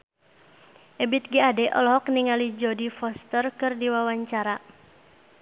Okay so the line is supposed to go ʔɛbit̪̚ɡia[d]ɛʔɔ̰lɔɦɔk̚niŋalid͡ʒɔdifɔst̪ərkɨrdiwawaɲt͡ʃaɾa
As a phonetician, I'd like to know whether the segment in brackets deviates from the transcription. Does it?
no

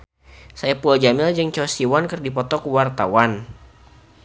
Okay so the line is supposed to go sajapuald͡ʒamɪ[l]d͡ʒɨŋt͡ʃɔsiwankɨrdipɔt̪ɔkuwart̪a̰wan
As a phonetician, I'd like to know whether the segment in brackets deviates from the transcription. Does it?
no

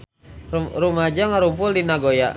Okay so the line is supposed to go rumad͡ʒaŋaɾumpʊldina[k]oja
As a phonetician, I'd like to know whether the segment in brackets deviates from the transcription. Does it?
yes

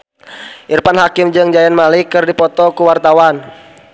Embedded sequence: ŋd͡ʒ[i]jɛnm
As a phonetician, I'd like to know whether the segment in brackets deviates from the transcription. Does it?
yes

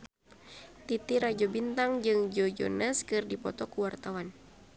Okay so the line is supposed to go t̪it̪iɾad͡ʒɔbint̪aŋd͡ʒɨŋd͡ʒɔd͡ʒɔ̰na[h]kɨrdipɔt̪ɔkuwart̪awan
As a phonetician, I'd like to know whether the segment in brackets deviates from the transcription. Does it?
yes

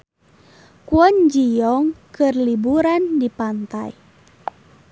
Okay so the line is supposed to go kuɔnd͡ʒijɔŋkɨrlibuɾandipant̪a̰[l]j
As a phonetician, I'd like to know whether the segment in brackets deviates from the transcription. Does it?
yes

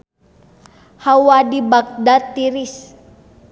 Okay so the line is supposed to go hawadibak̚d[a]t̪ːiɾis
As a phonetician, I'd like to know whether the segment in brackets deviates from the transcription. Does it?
no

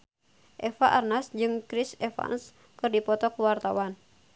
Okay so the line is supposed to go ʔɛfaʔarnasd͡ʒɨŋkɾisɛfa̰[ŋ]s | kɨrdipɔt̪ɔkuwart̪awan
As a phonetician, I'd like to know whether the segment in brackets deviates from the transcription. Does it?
yes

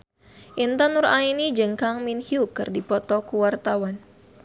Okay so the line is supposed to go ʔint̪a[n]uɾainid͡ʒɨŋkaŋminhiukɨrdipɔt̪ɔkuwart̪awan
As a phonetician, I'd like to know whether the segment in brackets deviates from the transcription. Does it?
no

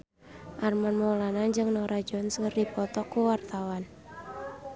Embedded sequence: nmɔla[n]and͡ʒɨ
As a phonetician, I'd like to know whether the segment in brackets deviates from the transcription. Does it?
no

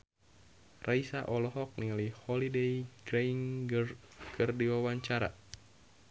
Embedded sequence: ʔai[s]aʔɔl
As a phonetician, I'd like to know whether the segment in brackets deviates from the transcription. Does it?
no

